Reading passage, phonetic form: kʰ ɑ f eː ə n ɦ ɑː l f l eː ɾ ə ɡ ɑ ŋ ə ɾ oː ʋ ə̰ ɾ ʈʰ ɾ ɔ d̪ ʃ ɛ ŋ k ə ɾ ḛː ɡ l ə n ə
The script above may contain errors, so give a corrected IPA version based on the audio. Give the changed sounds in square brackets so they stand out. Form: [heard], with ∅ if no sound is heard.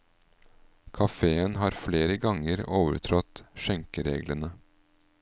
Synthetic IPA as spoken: kʰ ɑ f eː ə n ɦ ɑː [ɾ] f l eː ɾ ə ɡ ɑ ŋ ə ɾ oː ʋ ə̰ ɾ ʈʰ ɾ ɔ [t̪] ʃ ɛ ŋ k ə ɾ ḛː ɡ l ə n ə